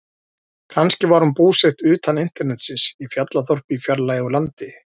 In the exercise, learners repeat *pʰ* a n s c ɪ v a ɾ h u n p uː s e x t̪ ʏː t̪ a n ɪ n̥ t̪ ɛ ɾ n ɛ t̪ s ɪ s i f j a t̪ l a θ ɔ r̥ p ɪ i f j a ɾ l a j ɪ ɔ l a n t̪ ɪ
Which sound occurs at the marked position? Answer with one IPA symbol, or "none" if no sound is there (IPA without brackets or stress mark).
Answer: kʰ